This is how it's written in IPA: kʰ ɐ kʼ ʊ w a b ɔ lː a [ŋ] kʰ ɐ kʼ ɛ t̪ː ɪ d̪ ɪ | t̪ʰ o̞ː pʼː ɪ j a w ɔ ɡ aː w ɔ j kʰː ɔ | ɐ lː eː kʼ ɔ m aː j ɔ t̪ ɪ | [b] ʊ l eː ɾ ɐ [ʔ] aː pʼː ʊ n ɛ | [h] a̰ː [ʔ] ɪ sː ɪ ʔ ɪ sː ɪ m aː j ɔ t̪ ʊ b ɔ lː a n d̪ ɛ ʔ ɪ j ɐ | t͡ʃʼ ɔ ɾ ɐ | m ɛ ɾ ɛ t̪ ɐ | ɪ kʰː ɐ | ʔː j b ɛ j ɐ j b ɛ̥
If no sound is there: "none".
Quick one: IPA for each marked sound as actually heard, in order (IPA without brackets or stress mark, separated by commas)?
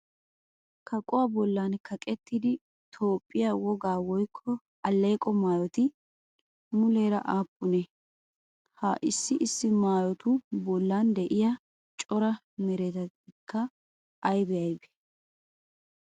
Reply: n, m, ʔ, h, ʔ